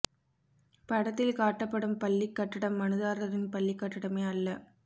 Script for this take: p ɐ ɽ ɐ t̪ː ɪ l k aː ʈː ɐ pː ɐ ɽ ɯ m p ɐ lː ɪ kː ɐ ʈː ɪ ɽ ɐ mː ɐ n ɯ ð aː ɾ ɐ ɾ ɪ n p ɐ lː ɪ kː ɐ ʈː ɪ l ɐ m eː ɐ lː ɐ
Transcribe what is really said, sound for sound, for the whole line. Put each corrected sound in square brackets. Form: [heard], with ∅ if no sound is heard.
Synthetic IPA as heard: p ɐ ɽ ɐ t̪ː ɪ l k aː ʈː ɐ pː ɐ ɽ ɯ m p ɐ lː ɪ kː ɐ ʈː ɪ ɽ ɐ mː ɐ n ɯ ð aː ɾ ɐ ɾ ɪ n p ɐ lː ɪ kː ɐ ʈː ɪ [ɽ] ɐ m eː ɐ lː ɐ